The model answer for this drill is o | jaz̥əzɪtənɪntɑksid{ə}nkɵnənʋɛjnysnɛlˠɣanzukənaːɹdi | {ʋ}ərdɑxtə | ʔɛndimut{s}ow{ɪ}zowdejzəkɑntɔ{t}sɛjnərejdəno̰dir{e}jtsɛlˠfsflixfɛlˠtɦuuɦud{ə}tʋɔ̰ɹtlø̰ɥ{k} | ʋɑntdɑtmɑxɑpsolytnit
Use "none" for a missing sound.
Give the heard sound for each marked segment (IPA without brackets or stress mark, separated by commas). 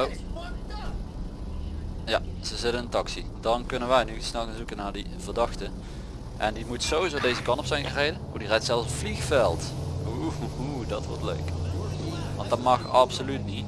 ɑ, v, s, i, p, ɛ, ɑ, k